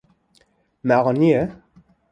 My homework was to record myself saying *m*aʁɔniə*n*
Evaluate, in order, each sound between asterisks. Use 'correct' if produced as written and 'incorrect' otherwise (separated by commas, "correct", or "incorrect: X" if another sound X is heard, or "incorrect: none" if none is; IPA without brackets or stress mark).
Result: correct, incorrect: none